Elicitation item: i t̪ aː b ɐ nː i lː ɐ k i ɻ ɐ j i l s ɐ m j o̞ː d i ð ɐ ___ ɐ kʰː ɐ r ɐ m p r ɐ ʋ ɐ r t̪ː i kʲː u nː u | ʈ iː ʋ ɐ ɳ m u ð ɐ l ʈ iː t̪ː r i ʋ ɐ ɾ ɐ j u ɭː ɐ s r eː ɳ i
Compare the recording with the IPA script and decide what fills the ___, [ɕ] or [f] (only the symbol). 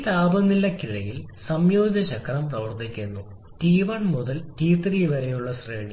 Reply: ɕ